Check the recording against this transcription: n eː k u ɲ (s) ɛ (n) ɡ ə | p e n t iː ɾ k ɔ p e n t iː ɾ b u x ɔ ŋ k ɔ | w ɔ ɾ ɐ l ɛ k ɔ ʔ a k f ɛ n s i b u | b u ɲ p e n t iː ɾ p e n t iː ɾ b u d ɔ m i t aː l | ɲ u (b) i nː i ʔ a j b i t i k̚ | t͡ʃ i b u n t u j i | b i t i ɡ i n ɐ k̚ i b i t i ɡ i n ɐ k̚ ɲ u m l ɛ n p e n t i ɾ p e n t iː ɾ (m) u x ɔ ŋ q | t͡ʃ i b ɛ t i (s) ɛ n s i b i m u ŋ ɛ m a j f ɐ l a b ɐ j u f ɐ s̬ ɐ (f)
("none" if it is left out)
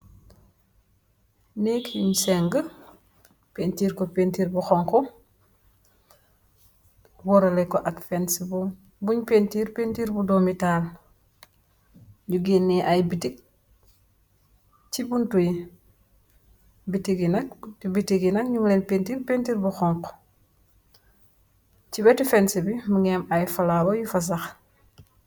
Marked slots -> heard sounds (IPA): s, ŋ, ɡ, b, f, x

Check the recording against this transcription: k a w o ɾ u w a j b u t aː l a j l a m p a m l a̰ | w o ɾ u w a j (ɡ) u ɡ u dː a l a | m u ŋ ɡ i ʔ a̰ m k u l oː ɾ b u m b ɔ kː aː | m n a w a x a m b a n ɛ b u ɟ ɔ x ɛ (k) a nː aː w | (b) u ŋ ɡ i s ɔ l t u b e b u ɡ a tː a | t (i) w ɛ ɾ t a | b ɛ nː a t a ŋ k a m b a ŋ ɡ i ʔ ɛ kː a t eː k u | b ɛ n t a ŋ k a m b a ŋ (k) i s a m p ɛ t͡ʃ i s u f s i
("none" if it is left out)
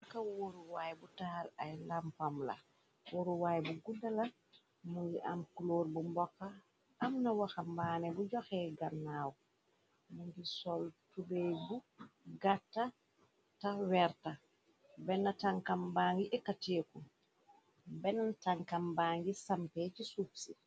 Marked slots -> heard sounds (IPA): b, ɡ, m, a, ɡ

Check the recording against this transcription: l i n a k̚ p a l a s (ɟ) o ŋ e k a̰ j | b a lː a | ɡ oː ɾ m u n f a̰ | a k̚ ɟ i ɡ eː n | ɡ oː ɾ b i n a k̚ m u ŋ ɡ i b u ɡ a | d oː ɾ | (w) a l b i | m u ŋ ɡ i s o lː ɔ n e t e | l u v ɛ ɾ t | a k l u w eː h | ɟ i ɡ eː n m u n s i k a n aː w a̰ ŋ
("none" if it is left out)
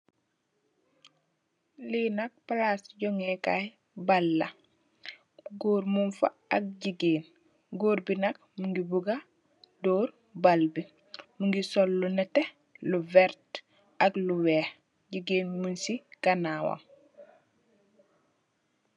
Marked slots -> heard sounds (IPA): ɟ, b

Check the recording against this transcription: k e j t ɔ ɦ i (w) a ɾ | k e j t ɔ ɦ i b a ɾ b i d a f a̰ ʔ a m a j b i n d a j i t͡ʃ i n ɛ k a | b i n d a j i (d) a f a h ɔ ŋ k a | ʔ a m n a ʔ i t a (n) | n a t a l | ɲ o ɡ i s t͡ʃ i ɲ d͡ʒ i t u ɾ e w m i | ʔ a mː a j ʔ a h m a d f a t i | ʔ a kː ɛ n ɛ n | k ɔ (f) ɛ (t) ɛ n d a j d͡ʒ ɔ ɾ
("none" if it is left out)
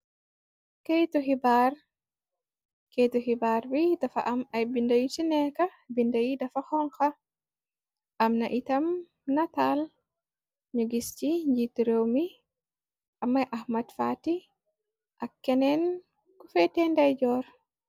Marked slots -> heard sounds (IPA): b, d, m, f, t

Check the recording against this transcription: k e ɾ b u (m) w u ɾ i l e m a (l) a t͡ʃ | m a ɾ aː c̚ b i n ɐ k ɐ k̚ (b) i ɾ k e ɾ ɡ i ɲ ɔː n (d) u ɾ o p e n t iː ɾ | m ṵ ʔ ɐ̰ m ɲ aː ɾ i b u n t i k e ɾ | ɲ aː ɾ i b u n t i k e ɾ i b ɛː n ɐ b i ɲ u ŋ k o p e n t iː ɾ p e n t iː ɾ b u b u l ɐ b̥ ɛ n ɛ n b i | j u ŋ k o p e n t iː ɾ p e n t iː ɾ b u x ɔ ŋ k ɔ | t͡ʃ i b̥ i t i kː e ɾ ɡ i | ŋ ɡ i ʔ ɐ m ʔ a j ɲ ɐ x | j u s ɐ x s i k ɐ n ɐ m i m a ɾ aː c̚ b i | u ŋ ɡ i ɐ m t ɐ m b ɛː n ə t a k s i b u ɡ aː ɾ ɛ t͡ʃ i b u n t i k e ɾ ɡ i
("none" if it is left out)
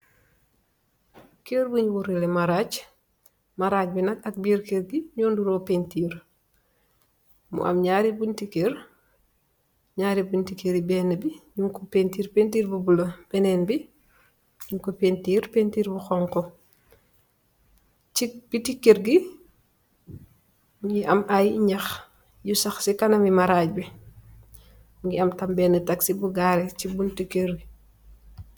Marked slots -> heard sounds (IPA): ɲ, ɾ, b, d

